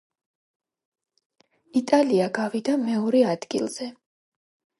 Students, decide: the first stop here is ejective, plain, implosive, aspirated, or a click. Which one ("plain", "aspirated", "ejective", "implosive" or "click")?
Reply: ejective